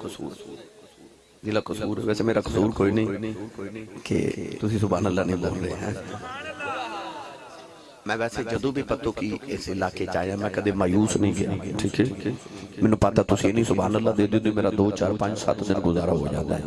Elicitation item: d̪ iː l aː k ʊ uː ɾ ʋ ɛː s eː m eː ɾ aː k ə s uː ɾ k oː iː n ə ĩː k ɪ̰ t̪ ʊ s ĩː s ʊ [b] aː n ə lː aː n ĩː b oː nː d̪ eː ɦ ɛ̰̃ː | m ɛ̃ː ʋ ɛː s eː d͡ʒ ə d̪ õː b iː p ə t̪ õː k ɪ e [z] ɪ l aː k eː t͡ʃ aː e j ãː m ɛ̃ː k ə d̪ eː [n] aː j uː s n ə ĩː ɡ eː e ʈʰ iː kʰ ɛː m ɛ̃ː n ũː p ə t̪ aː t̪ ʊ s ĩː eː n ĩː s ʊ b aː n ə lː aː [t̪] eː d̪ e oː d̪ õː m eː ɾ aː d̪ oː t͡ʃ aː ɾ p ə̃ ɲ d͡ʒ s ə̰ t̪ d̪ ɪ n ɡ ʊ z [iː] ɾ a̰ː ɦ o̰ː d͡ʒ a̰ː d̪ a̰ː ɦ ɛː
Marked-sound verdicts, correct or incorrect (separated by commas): correct, incorrect, incorrect, incorrect, incorrect